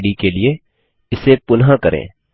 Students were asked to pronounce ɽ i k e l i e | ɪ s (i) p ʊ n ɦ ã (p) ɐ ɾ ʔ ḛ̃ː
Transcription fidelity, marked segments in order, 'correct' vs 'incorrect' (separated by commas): incorrect, incorrect